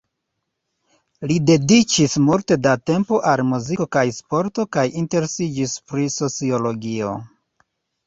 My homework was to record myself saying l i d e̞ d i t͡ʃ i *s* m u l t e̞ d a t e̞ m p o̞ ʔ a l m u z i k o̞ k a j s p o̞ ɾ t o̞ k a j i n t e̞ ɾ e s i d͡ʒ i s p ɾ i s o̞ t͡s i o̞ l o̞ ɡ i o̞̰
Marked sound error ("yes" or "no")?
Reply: no